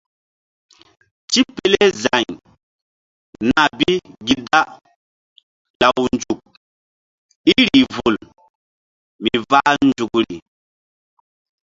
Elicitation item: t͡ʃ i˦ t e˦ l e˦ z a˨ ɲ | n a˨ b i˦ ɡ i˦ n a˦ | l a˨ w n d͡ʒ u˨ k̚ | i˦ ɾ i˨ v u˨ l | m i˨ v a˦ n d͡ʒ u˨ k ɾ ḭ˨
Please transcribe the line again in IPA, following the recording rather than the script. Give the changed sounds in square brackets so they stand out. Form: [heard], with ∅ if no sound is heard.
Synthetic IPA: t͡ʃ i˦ [p] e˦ l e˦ z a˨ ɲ | n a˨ b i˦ ɡ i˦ [d] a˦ | l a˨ w n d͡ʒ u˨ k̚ | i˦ ɾ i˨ v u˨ l | m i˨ v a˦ n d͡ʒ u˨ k ɾ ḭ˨